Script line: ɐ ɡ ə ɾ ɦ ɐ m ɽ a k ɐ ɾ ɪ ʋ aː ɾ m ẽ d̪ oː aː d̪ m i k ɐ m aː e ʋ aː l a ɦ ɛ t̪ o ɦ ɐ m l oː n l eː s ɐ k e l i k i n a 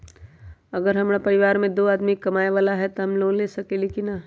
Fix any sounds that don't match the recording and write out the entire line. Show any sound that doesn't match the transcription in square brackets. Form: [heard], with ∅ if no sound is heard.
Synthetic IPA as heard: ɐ ɡ ə ɾ ɦ ɐ m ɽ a [p] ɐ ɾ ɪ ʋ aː ɾ m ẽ d̪ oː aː d̪ m i k ɐ m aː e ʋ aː l a ɦ ɛ t̪ o ɦ ɐ m l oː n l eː s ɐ k e l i k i n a